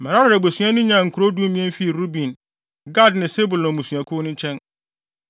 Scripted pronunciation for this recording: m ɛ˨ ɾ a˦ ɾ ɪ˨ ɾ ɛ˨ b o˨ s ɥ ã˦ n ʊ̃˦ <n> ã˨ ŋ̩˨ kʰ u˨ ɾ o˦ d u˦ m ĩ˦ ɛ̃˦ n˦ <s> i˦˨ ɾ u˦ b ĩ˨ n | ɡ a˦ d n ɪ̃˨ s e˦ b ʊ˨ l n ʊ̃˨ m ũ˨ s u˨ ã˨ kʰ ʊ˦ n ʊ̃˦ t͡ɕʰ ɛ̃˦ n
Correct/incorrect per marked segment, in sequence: incorrect: ɲ, incorrect: f

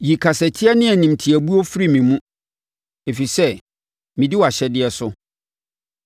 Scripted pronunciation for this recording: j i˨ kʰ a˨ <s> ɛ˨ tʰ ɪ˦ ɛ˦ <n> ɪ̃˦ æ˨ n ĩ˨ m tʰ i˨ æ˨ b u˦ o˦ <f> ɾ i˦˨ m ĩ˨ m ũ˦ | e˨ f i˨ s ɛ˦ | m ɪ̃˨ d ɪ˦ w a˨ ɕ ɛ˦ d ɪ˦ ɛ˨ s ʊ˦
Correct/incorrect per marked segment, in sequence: correct, correct, correct

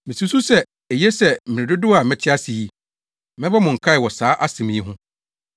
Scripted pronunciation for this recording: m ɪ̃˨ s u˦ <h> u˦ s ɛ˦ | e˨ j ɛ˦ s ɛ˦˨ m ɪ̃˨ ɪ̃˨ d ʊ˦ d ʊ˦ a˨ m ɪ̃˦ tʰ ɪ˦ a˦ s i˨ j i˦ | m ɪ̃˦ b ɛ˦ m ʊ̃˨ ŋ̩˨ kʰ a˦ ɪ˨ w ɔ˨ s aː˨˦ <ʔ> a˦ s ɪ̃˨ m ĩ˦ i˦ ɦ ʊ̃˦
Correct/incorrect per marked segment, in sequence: incorrect: s, correct

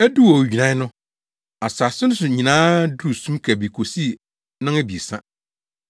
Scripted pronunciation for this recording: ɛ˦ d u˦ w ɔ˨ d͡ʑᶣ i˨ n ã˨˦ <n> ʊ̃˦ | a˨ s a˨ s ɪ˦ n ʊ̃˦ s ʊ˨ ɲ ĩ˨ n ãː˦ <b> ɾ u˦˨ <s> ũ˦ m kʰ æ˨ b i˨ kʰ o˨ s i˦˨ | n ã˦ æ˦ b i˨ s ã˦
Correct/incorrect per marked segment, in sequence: correct, incorrect: d, correct

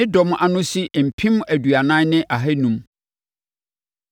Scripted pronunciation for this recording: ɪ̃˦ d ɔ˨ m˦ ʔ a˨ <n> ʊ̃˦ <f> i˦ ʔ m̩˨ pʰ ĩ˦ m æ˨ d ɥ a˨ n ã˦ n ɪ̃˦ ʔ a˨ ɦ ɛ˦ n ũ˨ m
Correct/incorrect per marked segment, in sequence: correct, incorrect: s

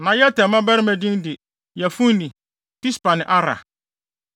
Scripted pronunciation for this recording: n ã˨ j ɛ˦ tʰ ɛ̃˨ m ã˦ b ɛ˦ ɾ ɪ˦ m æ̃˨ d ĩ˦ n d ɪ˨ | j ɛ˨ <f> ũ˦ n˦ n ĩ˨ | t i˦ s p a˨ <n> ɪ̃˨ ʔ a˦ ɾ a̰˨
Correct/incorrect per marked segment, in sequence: correct, correct

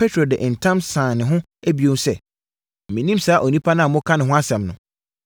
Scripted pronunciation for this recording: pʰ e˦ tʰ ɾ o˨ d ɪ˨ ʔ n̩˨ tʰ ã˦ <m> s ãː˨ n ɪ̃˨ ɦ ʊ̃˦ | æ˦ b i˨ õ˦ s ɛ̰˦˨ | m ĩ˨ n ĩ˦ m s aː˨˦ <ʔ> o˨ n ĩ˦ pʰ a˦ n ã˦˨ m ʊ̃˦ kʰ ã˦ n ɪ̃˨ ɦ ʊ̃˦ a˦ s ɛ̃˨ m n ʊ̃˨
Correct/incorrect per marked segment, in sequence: correct, correct

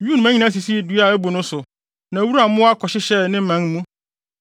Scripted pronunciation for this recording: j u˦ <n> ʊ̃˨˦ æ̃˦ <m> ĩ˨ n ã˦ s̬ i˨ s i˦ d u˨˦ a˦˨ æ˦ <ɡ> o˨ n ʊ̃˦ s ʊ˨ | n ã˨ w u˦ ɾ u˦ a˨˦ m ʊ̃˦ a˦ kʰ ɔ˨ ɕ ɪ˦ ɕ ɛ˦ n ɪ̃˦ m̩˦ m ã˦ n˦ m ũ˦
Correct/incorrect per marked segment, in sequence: correct, incorrect: ɲ, incorrect: b

